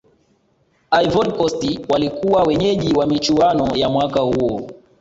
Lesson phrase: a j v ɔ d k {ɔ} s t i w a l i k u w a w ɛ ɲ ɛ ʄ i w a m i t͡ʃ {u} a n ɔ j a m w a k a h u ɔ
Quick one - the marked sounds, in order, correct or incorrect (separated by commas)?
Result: correct, correct